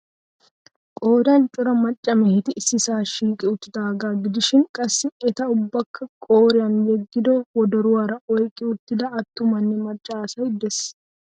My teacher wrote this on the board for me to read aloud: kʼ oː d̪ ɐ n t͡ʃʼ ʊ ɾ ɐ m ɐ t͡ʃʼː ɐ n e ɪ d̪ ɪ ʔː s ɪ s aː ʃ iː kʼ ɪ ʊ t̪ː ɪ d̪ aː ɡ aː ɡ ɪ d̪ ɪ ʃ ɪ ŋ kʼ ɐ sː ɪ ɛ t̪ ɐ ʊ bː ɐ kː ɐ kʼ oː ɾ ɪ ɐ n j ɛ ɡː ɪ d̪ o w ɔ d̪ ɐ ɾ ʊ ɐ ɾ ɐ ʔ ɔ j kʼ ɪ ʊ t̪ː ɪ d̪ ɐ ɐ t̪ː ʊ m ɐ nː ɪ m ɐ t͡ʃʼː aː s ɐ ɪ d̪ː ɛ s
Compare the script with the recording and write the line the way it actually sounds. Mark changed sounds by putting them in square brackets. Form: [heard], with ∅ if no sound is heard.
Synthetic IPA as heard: kʼ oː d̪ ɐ n t͡ʃʼ ʊ ɾ ɐ m ɐ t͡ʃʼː ɐ [m] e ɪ [t̪] ɪ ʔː s ɪ s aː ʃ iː kʼ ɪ ʊ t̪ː ɪ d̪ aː ɡ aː ɡ ɪ d̪ ɪ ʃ ɪ ŋ kʼ ɐ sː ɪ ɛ t̪ ɐ ʊ bː ɐ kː ɐ kʼ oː ɾ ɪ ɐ n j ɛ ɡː ɪ d̪ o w ɔ d̪ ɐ ɾ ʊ ɐ ɾ ɐ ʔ ɔ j kʼ ɪ ʊ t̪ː ɪ d̪ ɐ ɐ t̪ː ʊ m ɐ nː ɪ m ɐ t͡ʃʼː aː s ɐ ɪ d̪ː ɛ s